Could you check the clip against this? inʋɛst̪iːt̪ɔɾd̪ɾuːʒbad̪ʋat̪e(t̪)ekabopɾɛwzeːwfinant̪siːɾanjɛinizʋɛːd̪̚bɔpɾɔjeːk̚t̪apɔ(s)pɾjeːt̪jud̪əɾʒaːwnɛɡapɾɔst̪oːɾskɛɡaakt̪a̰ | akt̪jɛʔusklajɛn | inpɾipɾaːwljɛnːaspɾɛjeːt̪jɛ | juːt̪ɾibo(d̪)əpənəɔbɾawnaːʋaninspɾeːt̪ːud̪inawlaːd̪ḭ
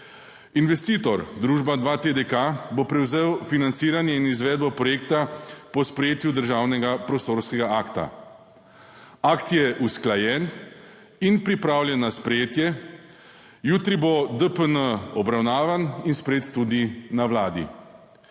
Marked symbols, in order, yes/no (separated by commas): no, yes, yes